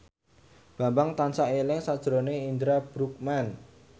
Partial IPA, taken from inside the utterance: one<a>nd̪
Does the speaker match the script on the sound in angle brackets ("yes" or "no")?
no